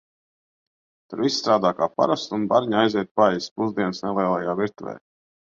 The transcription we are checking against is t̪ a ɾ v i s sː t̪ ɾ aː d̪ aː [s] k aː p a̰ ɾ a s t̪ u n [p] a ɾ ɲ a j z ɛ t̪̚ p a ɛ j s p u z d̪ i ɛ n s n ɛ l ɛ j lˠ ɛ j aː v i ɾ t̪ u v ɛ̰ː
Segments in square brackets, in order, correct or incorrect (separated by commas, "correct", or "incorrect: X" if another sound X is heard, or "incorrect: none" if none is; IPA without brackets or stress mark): incorrect: none, incorrect: b